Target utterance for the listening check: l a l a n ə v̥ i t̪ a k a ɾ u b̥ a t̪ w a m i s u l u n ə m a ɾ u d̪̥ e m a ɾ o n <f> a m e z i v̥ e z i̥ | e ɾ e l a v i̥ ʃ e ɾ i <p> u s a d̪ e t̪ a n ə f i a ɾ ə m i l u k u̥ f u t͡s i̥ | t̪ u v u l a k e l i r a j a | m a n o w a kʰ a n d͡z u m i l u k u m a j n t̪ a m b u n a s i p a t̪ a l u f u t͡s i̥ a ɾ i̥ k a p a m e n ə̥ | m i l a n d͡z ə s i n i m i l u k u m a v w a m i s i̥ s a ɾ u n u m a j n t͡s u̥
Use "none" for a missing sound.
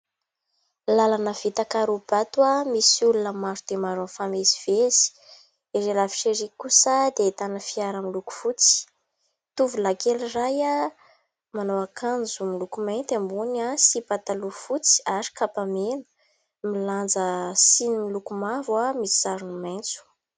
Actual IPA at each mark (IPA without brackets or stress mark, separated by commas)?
f, k